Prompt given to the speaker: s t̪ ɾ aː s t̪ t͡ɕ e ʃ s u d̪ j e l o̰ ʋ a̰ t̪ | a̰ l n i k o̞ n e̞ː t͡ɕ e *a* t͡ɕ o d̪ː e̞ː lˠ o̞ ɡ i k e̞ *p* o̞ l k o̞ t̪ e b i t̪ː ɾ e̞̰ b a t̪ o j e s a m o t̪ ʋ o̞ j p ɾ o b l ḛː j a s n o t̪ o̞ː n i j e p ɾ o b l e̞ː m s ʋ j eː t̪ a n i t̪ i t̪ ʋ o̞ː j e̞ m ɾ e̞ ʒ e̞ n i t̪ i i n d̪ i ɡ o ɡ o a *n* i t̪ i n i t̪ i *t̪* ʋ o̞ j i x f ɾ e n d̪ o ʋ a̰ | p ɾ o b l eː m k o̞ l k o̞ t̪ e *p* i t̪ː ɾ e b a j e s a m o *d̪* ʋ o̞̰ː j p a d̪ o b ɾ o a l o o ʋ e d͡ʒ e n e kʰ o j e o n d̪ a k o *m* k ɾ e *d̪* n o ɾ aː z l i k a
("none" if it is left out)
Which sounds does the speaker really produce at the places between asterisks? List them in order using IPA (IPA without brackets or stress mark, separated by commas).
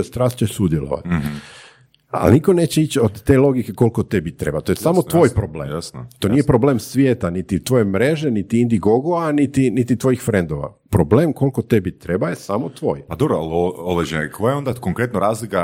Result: i, k, n, t̪, b, t̪, ŋ, t̪